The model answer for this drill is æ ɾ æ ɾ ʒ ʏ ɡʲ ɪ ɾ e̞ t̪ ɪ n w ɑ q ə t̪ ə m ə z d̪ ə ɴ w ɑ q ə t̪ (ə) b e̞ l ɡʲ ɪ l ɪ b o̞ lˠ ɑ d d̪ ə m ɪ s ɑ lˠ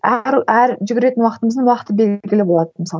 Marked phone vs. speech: correct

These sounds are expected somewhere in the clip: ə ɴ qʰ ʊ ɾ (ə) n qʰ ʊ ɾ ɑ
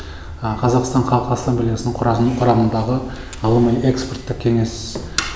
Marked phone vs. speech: incorrect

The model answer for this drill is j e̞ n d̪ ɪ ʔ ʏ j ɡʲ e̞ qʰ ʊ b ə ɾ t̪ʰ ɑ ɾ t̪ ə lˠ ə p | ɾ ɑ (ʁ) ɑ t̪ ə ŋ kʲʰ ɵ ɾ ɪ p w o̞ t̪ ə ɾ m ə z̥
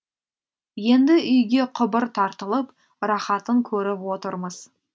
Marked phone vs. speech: incorrect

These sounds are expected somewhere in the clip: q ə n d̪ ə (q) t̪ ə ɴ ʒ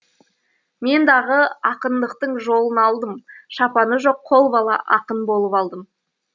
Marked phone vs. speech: correct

